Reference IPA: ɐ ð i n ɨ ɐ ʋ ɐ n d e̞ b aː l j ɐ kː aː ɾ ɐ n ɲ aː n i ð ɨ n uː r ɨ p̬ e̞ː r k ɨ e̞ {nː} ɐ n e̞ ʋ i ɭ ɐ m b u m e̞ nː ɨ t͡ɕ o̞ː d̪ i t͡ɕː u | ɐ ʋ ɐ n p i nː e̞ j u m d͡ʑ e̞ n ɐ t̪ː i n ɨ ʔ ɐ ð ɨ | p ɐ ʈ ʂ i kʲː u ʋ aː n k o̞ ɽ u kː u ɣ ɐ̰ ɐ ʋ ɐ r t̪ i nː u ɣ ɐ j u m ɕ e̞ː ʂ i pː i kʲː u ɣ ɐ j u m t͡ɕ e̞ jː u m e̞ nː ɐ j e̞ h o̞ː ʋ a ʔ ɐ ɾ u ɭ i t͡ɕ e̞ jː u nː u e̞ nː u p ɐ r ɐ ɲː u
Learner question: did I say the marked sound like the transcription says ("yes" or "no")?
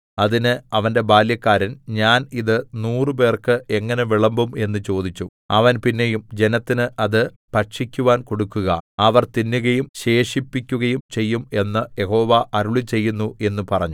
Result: no